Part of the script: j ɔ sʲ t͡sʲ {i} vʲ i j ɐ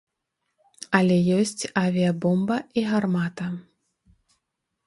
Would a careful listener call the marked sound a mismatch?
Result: yes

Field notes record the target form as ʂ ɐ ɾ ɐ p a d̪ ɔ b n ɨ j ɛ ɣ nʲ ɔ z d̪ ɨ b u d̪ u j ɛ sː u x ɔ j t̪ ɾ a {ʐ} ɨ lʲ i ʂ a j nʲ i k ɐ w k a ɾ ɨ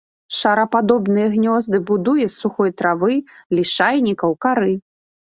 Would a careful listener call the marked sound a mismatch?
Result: yes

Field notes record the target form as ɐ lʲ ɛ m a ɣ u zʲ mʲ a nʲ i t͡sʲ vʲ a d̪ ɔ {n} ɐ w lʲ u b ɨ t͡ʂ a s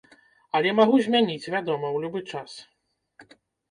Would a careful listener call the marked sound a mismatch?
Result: yes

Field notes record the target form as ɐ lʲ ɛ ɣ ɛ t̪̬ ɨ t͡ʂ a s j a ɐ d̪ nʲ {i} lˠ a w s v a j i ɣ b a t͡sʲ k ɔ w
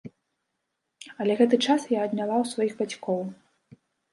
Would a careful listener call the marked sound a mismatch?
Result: yes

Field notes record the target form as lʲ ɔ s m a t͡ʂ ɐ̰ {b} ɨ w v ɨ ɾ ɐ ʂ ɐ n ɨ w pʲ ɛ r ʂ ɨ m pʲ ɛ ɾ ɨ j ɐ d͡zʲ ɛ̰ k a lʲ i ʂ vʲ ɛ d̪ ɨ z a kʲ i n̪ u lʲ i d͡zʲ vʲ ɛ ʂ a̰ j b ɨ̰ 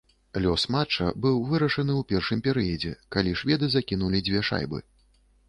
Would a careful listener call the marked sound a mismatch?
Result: no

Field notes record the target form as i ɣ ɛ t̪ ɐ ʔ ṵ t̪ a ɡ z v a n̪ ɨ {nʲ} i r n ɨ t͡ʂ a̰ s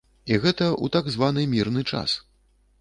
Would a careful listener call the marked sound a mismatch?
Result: yes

